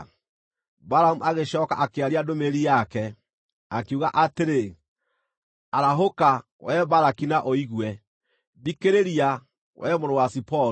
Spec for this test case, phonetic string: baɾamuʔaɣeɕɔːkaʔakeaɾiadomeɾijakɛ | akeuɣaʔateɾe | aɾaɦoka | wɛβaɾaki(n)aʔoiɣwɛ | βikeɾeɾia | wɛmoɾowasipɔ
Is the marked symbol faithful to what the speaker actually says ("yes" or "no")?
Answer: yes